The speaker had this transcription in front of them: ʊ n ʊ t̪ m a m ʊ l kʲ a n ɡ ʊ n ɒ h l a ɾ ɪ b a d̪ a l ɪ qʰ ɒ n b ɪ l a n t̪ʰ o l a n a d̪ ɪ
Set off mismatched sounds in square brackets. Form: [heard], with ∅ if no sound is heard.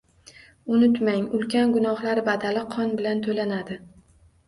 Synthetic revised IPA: ʊ n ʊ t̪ m a [ŋ] ʊ l kʲ a n ɡ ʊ n ɒ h l a ɾ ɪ b a d̪ a l ɪ qʰ ɒ n b ɪ l a n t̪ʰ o l a n a d̪ ɪ